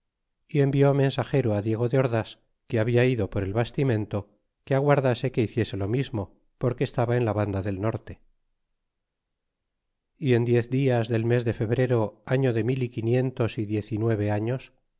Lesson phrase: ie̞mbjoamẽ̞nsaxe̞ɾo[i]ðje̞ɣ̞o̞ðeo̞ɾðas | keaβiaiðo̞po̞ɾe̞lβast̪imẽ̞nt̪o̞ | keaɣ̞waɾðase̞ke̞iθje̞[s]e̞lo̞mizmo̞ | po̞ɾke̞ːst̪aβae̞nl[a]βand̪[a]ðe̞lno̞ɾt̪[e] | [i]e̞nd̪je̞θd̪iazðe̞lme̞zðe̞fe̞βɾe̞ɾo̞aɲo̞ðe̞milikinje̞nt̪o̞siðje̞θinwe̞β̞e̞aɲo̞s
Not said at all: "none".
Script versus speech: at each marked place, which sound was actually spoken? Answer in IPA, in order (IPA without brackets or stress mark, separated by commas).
a, s, a, a, e, i